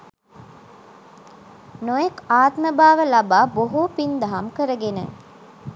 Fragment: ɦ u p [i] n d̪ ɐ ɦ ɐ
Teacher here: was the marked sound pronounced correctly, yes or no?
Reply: yes